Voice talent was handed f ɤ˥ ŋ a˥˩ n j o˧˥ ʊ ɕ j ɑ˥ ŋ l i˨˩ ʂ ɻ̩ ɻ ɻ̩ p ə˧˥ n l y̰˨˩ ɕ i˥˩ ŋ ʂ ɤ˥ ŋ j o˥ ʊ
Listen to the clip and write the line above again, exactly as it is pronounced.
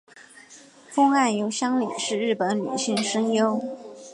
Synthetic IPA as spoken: f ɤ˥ ŋ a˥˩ n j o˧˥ ʊ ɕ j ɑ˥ ŋ l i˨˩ ʂ ɻ̩ ɻ ɻ̩ p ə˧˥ n l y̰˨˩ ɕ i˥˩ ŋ ʂ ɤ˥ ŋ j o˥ ʊ